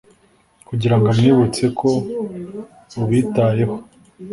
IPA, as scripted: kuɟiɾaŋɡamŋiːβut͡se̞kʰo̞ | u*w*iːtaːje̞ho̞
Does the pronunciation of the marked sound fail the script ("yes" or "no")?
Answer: yes